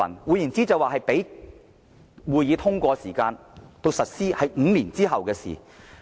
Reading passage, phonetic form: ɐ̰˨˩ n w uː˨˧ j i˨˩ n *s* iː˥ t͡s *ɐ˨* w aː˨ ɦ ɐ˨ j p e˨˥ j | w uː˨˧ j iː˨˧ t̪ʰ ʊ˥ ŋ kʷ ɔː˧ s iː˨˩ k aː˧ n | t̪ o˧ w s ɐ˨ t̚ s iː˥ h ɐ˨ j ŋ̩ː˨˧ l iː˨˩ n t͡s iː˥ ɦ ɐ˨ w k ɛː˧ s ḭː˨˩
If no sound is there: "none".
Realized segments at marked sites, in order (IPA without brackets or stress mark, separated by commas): t͡s, ɐ˨